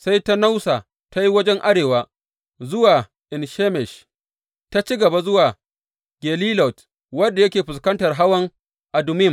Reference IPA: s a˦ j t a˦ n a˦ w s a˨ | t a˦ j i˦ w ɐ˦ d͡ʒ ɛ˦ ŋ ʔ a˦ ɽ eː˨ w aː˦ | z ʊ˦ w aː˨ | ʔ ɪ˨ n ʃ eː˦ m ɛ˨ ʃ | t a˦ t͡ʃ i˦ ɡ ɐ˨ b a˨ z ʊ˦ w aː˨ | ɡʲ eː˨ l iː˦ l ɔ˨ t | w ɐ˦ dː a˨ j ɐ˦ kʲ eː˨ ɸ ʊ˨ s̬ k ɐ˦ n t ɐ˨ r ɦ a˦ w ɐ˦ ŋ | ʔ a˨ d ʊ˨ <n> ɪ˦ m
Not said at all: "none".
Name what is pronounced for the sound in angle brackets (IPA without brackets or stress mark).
m